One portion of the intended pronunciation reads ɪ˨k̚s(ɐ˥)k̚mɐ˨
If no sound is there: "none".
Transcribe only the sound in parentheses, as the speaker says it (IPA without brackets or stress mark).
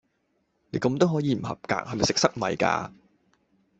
ɐ˥